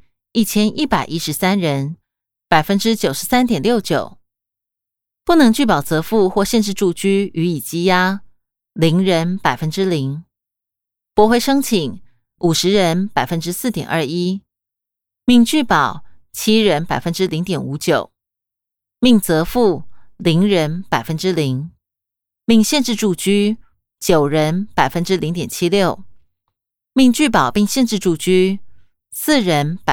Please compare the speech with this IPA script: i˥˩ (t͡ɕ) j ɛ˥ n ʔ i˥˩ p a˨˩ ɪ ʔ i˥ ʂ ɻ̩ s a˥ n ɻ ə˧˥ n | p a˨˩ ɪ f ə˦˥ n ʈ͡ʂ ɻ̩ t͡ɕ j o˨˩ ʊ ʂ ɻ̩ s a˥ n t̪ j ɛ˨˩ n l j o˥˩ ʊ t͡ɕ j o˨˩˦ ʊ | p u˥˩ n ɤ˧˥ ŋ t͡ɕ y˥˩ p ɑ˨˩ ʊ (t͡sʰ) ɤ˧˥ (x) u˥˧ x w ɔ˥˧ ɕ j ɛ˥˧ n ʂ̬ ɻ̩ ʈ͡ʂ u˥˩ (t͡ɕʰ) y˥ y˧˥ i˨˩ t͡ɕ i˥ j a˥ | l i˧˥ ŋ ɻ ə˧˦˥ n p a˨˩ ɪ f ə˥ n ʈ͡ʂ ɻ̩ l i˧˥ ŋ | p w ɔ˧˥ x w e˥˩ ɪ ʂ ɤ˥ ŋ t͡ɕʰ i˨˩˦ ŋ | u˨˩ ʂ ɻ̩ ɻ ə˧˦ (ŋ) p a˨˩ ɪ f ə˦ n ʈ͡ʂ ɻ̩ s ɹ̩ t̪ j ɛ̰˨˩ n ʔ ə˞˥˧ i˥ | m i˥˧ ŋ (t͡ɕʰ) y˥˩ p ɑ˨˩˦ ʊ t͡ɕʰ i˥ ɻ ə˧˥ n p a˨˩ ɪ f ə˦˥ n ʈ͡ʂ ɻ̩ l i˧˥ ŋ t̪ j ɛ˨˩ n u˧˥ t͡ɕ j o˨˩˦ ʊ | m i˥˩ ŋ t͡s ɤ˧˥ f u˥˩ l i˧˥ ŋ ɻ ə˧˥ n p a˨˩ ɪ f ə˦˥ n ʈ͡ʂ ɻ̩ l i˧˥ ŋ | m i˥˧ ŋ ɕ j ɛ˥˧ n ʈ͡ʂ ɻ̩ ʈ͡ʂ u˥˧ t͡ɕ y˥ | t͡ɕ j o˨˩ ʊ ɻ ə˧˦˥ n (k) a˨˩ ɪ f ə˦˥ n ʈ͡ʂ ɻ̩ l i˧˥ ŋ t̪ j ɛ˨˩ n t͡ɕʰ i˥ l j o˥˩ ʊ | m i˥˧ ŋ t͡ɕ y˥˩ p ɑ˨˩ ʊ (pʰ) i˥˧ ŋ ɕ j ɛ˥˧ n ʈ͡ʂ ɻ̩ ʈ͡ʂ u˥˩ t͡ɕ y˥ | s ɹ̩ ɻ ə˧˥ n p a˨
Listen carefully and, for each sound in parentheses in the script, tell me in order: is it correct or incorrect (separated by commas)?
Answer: incorrect, incorrect, incorrect, incorrect, incorrect, incorrect, incorrect, incorrect